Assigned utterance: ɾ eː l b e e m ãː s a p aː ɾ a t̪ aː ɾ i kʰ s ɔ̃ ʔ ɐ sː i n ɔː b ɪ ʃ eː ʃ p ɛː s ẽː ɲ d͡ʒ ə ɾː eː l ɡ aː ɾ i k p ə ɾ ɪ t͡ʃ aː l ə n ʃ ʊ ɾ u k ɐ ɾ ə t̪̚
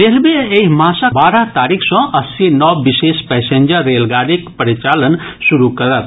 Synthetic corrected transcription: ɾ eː l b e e m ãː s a b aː ɾ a t̪ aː ɾ i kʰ s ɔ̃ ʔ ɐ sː i n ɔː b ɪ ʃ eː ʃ p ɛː s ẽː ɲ d͡ʒ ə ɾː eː l ɡ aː ɾ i k p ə ɾ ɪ t͡ʃ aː l ə n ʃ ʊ ɾ u k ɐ ɾ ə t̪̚